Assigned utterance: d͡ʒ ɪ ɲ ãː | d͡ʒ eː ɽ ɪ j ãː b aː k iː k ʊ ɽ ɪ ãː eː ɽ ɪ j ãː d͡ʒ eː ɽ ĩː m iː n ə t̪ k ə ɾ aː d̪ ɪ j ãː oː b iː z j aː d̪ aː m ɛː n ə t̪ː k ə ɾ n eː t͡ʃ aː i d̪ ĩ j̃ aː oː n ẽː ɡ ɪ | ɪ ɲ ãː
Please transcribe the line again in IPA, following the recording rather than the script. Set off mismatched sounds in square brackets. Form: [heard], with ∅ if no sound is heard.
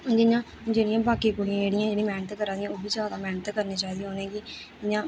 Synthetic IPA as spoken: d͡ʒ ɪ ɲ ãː | d͡ʒ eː ɽ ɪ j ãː b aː k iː k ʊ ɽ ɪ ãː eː ɽ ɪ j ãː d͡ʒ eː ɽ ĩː m [ɛː] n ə t̪ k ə ɾ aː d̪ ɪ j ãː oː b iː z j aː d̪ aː m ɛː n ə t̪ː k ə ɾ n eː t͡ʃ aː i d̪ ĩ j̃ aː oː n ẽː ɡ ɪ | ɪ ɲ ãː